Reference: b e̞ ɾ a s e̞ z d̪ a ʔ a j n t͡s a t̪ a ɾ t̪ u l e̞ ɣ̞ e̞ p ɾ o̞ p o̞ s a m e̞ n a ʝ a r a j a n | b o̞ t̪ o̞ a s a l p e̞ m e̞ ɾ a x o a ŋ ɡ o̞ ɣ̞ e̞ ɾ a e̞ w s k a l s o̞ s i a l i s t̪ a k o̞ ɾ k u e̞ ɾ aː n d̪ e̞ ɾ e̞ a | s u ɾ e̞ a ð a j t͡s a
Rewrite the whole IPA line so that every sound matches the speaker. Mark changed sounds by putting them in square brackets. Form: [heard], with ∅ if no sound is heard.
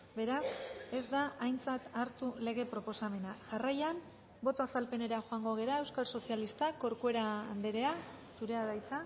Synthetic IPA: b e̞ ɾ a s e̞ z d̪ a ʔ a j n t͡s a t̪ a ɾ t̪ u l e̞ ɣ̞ e̞ p ɾ o̞ p o̞ s a m e̞ n a ʝ a r a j a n | b o̞ t̪ o̞ a s a l p e̞ [n] e̞ ɾ a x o a ŋ ɡ o̞ ɣ̞ e̞ ɾ a e̞ w s k a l s o̞ s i a l i s t̪ a k o̞ ɾ k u e̞ ɾ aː n d̪ e̞ ɾ e̞ a | s u ɾ e̞ a ð a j t͡s a